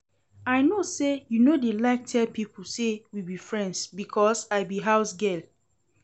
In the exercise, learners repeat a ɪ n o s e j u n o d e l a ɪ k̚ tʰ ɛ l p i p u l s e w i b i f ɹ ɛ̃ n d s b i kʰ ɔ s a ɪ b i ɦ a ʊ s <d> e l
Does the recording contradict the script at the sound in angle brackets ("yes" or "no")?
yes